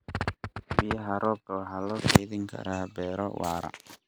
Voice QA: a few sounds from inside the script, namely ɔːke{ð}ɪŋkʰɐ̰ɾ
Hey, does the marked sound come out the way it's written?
yes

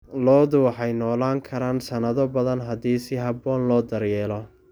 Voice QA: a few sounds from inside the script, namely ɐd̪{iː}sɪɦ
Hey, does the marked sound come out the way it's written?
yes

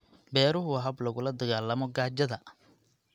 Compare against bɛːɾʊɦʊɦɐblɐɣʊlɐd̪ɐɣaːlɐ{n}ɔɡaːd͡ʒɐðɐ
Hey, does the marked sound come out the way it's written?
no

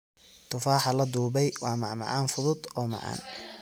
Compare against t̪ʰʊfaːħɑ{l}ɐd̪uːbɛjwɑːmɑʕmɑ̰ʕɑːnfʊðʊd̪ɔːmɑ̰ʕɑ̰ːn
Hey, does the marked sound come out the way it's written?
yes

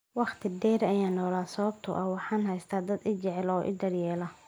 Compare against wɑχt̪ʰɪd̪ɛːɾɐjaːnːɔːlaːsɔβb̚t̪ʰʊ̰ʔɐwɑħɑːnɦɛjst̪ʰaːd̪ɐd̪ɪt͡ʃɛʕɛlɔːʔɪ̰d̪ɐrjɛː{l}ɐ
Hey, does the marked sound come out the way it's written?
yes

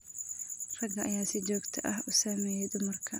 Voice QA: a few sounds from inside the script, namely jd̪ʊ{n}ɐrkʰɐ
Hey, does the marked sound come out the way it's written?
no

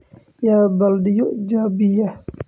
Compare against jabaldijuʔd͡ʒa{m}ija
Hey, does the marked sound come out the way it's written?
no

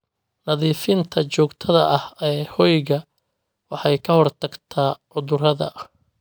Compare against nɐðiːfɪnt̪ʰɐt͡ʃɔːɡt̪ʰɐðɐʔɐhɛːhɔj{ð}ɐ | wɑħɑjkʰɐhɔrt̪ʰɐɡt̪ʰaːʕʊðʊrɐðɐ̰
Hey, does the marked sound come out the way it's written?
no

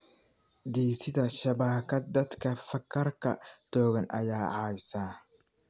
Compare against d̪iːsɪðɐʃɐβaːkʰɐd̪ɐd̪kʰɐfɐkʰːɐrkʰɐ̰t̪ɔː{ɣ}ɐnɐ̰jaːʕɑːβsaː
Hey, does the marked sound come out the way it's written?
yes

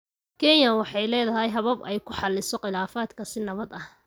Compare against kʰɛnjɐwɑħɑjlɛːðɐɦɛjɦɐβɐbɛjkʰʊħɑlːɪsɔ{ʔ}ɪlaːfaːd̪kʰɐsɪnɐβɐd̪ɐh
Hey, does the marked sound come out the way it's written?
no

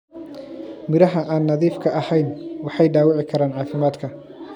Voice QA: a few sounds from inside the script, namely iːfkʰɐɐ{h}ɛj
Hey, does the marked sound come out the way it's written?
yes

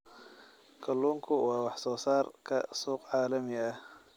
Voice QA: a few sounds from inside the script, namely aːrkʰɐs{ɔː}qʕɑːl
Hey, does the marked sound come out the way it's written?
no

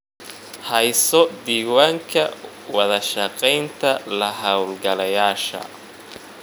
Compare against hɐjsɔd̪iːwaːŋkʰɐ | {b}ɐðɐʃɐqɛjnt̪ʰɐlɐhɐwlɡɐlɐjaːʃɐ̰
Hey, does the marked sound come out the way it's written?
no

